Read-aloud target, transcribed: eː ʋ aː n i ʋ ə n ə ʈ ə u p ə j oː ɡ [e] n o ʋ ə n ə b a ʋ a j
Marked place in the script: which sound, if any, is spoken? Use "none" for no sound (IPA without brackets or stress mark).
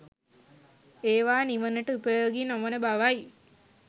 i